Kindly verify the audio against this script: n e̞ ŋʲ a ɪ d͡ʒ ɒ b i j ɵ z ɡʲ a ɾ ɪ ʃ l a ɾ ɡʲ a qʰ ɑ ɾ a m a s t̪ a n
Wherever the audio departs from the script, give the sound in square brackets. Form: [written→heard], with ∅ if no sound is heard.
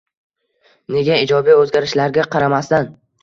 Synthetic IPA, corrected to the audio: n e̞ [ŋʲ→ɡʲ] a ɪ d͡ʒ ɒ b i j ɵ z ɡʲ a ɾ ɪ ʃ l a ɾ ɡʲ a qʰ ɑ ɾ a m a s t̪ a n